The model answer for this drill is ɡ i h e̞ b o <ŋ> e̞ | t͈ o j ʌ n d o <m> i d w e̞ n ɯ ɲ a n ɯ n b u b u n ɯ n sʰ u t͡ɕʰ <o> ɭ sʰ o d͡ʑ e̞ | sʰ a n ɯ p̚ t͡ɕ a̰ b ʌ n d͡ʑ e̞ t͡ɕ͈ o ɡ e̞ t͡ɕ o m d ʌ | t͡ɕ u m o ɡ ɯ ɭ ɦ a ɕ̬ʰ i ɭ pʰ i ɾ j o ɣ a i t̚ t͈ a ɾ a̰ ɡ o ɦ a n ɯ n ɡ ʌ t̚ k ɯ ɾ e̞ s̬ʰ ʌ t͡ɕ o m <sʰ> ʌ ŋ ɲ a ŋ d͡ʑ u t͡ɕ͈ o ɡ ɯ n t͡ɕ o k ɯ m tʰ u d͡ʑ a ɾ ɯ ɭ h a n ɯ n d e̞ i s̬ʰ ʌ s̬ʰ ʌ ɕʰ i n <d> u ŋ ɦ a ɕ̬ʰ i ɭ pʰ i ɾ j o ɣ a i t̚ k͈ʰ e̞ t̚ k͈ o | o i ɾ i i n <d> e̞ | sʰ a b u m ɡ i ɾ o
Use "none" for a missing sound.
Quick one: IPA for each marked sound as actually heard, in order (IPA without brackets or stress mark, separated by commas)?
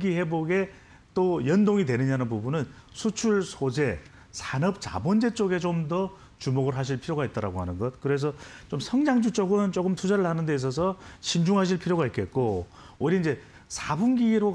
ɡ, ŋ, u, sʰ, d͡ʑ, d͡ʑ